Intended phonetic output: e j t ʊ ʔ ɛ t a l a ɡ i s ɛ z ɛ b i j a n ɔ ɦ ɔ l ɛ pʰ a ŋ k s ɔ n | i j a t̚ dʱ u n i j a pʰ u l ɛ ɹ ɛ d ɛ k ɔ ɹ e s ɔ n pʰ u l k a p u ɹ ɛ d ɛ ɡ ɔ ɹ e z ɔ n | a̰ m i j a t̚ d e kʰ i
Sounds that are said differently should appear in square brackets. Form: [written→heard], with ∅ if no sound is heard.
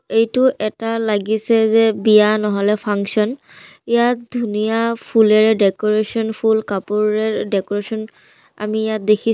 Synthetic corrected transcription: e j t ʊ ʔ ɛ t a l a ɡ i s ɛ z ɛ b i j a n ɔ ɦ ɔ l ɛ pʰ a ŋ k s ɔ n | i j a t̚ dʱ u n i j a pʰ u l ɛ ɹ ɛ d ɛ k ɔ ɹ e s ɔ n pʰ u l k a p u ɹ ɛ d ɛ [ɡ→k] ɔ ɹ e [z→s] ɔ n | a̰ m i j a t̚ d e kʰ i